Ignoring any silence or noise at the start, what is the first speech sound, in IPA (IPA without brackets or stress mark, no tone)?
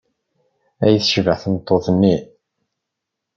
æ